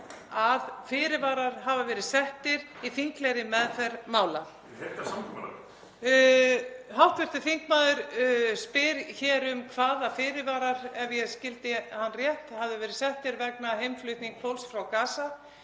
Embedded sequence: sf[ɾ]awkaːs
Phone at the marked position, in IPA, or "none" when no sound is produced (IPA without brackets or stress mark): ɾ